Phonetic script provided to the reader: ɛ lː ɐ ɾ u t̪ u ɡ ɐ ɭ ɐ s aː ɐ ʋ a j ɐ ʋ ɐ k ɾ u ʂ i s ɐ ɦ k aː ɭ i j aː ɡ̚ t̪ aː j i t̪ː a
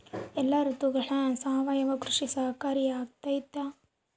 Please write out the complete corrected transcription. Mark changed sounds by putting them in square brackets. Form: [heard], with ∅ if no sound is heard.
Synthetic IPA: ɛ lː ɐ ɾ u t̪ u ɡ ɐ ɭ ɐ s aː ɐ ʋ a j ɐ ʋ ɐ k ɾ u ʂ i s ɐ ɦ k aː [ɾ] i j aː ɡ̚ t̪ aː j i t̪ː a

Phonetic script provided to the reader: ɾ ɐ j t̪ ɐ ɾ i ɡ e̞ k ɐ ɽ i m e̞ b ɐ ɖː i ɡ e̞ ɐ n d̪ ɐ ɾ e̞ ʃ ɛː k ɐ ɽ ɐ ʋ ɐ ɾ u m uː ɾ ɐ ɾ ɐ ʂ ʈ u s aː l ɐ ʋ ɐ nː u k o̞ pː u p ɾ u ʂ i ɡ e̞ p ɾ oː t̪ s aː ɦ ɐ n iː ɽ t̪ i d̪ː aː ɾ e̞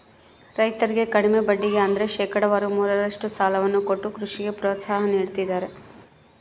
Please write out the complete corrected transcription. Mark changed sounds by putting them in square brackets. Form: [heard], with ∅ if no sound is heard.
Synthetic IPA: ɾ ɐ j t̪ ɐ ɾ i ɡ e̞ k ɐ ɽ i m e̞ b ɐ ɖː i ɡ e̞ ɐ n d̪ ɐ ɾ e̞ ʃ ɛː k ɐ ɽ ɐ ʋ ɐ ɾ u m uː ɾ ɐ ɾ ɐ ʂ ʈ u s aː l ɐ ʋ ɐ nː u k o̞ [ʈː] u [k] ɾ u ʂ i ɡ e̞ p ɾ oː t̪ s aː ɦ ɐ n iː ɽ t̪ i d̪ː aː ɾ e̞

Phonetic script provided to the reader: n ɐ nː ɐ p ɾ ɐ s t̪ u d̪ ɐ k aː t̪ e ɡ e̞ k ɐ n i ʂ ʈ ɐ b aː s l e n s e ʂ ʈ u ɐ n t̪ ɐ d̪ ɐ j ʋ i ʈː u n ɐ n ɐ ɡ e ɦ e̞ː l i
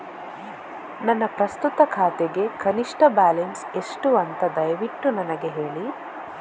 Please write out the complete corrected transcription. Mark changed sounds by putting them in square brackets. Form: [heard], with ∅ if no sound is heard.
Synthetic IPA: n ɐ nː ɐ p ɾ ɐ s t̪ u [t̪] ɐ [kʰ] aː t̪ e ɡ e̞ k ɐ n i ʂ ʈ ɐ b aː [∅] l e n s e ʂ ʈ u ɐ n t̪ ɐ d̪ ɐ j ʋ i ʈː u n ɐ n ɐ ɡ e ɦ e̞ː [ɭ] i

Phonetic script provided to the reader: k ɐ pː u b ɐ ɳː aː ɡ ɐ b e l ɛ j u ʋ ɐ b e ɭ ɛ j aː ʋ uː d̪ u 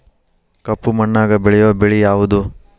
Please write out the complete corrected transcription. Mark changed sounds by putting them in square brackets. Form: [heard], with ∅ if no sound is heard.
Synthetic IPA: k ɐ pː u [m] ɐ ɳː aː ɡ ɐ b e [ɭ] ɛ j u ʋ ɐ b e ɭ [i] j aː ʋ [u] d̪ u

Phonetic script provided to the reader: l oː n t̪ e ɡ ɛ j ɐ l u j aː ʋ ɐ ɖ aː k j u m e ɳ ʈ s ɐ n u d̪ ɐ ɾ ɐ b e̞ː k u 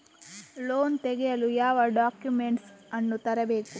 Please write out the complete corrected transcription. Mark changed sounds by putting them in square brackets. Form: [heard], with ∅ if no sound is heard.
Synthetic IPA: l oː n t̪ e ɡ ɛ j ɐ l u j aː ʋ ɐ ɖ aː k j u m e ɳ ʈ s ɐ [nː] u [t̪] ɐ ɾ ɐ b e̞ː k u

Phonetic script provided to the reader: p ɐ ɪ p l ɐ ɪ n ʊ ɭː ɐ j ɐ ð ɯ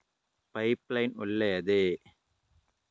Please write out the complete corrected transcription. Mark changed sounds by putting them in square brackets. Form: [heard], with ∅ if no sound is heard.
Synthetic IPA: p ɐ ɪ p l ɐ ɪ n ʊ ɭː ɐ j ɐ ð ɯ

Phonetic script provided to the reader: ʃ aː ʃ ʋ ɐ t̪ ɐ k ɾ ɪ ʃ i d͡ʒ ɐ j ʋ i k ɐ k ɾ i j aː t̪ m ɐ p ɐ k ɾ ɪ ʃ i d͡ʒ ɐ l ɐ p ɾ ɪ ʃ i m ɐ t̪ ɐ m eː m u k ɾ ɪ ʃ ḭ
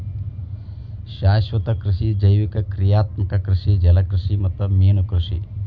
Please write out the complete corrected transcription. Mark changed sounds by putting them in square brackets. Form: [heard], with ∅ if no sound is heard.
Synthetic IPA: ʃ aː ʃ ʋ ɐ t̪ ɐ k ɾ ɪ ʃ i d͡ʒ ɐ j ʋ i k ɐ k ɾ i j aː t̪ m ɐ [k] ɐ k ɾ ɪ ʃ i d͡ʒ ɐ l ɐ [k] ɾ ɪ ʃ i m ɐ t̪ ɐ m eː [n] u k ɾ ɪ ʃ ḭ

